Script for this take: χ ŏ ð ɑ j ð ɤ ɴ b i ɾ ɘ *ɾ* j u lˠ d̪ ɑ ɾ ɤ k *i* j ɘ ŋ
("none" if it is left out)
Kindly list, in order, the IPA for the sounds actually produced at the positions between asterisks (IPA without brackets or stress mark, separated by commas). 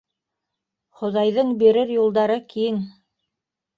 ɾ, i